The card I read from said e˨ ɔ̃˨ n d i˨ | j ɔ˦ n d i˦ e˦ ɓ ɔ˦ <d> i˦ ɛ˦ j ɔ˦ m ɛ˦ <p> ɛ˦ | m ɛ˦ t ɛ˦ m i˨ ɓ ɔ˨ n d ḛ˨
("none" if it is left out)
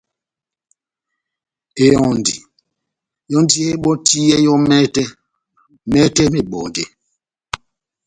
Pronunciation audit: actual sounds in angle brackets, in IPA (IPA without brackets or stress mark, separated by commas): t, t